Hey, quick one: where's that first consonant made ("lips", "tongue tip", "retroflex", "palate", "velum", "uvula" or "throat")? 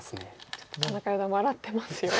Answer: tongue tip